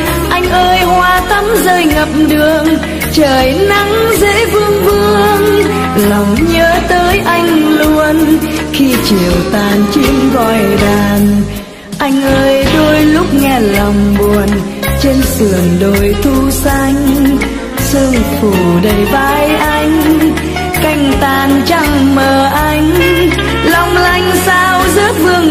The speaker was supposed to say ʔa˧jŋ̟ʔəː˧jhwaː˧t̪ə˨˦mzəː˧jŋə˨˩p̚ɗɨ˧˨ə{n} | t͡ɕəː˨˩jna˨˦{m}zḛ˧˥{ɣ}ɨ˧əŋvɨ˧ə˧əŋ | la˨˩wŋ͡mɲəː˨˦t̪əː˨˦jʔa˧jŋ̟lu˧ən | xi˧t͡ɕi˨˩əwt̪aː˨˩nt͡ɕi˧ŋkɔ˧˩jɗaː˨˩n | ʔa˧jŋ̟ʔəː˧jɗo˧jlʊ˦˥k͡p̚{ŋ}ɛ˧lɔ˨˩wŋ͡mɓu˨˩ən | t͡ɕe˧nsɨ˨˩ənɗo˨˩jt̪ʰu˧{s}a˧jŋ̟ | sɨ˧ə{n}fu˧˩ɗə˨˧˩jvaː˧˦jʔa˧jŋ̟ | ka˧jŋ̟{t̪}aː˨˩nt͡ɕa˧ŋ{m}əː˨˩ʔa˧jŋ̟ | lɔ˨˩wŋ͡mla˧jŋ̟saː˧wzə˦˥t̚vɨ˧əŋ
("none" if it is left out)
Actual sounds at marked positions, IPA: ŋ, ŋ, v, ŋ, s, ŋ, t̪, m

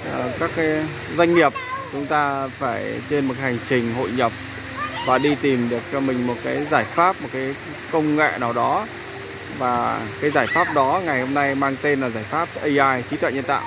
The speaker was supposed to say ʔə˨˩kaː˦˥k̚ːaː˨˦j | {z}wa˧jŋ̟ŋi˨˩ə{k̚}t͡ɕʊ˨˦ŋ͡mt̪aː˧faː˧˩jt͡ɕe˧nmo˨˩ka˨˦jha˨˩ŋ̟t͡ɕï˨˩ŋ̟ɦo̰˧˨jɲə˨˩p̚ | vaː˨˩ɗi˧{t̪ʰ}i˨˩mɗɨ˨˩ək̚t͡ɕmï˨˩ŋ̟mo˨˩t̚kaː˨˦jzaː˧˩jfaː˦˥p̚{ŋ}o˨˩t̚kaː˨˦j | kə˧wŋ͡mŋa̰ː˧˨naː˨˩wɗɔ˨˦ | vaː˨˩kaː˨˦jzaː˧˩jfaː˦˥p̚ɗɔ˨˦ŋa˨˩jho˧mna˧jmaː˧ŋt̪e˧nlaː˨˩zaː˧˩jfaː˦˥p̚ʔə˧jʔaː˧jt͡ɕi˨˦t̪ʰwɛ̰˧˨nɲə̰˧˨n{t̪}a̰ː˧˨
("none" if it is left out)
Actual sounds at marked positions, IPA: z, p̚, t̪, m, t̪

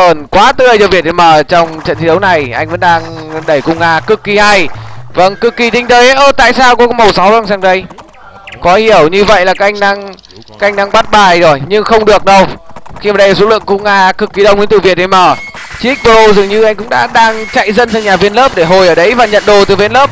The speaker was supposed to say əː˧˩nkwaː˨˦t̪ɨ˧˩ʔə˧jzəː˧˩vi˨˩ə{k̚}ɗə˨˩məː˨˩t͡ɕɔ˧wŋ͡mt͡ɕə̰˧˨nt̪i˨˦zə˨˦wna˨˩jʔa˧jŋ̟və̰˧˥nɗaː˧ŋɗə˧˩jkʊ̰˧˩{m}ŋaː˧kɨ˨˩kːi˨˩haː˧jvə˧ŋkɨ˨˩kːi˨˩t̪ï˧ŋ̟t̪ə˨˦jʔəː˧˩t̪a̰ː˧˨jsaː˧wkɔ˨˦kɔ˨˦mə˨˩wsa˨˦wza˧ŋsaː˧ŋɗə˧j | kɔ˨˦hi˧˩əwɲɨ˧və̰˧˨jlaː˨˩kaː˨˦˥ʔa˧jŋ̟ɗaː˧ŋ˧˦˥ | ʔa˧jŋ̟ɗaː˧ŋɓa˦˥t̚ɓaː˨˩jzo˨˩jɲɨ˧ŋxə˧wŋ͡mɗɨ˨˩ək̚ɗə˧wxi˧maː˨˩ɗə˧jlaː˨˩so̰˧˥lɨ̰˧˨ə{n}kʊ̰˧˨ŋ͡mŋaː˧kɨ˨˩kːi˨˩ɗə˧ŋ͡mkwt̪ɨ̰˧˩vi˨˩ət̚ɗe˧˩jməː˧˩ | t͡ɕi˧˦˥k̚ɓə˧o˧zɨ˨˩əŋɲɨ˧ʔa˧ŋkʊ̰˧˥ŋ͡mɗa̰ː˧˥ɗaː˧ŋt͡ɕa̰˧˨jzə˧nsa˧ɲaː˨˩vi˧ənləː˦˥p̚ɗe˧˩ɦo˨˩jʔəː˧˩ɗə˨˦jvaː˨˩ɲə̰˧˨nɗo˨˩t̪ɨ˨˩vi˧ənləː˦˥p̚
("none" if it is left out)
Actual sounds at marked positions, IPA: t̚, ŋ͡m, ŋ

